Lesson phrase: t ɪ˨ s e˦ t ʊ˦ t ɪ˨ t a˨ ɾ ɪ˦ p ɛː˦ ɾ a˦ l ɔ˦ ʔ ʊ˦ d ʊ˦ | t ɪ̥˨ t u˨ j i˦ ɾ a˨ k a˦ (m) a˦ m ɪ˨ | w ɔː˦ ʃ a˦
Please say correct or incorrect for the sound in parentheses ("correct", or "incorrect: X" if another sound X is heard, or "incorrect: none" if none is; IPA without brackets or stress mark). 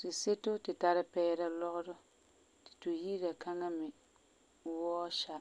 incorrect: ŋ